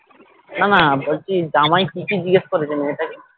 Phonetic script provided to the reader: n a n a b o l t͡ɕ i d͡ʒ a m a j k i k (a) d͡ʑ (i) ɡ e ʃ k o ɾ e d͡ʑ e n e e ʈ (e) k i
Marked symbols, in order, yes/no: no, yes, no

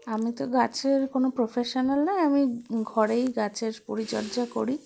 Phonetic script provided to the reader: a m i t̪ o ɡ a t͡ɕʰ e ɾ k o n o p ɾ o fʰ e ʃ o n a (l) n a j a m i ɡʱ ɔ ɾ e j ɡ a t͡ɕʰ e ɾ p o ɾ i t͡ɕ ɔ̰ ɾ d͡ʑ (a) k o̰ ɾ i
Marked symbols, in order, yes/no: yes, yes

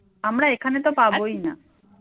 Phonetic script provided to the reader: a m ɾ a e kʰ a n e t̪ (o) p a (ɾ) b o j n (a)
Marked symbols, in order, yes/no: yes, no, yes

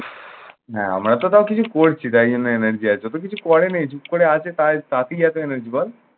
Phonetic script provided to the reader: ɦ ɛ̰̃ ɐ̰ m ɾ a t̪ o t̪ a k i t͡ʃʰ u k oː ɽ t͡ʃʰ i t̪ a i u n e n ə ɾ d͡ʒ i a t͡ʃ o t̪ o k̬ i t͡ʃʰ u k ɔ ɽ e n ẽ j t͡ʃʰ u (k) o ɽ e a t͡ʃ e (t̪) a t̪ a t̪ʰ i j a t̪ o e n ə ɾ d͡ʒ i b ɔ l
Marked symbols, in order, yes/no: yes, yes

